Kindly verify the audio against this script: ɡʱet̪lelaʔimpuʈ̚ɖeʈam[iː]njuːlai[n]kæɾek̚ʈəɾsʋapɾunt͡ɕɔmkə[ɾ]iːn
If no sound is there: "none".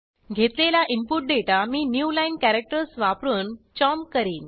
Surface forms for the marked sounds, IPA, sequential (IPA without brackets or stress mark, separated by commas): iː, n, ɾ